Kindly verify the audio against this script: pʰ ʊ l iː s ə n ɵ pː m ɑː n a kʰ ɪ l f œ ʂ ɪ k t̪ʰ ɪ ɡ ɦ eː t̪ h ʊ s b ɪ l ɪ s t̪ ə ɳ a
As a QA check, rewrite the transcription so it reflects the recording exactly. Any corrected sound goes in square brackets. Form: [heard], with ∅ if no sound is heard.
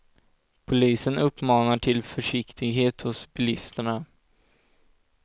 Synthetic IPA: pʰ ʊ l iː s ə n ɵ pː m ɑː n a [ʈʰ] ɪ l f œ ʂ ɪ k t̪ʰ ɪ ɡ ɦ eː t̪ h ʊ s b ɪ l ɪ s t̪ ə ɳ a